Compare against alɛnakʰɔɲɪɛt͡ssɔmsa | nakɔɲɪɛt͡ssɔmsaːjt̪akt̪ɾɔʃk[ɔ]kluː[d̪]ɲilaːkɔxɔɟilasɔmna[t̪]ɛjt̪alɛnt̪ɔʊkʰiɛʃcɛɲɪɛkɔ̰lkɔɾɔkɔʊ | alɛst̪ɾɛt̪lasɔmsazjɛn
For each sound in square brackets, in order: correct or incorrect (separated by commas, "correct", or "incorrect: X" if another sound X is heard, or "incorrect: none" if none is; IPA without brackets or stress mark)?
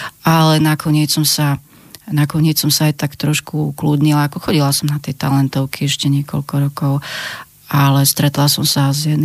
incorrect: u, correct, correct